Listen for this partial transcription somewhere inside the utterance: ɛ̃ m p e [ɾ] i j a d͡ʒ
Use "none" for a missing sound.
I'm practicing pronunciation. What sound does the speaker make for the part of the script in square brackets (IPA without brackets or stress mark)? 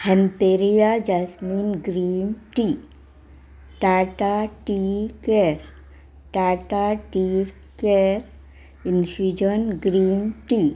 ɾ